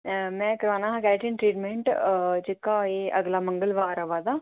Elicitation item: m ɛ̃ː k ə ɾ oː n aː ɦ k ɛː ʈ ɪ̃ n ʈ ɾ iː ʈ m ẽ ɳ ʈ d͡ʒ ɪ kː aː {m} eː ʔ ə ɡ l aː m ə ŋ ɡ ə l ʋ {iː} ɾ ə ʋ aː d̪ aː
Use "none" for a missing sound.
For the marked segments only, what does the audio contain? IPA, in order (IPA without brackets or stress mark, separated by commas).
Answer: none, aː